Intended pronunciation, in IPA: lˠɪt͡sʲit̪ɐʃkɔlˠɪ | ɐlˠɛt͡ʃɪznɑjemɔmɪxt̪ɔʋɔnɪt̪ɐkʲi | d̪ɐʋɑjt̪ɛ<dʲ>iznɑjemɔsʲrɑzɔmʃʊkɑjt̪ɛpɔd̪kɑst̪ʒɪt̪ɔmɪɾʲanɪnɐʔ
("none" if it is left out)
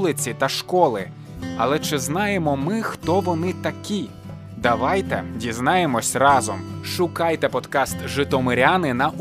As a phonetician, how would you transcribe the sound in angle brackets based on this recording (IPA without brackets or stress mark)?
dʲ